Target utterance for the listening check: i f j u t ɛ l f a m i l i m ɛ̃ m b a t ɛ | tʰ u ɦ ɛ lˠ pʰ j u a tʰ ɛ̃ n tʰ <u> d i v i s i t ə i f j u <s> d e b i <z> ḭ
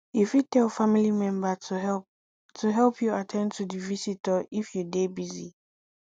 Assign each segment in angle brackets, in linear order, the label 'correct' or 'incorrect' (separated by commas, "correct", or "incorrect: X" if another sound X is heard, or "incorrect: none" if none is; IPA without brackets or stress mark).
correct, incorrect: none, correct